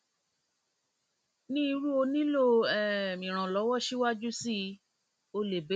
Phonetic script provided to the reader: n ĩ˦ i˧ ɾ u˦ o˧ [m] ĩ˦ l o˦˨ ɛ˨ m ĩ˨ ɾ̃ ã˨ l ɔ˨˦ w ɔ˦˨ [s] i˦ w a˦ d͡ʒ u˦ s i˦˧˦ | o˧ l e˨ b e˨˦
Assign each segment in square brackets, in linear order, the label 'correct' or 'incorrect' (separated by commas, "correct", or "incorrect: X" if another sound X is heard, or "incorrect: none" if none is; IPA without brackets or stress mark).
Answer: incorrect: n, incorrect: ʃ